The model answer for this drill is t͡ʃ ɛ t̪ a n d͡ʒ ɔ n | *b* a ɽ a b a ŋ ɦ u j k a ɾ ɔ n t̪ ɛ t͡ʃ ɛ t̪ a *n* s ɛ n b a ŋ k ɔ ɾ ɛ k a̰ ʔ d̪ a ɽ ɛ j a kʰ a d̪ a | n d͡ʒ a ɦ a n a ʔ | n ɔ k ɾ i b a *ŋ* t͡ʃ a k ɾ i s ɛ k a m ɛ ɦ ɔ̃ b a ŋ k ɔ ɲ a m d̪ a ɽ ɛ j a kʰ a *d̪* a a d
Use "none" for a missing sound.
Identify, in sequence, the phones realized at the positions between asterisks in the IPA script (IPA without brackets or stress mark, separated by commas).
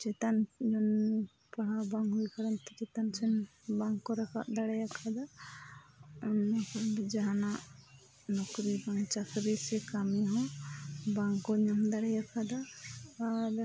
p, n, ŋ, d̪